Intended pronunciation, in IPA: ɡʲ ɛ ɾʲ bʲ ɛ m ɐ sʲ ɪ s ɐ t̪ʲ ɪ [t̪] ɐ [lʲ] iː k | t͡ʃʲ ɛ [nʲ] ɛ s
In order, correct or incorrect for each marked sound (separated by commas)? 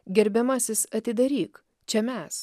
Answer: incorrect, incorrect, incorrect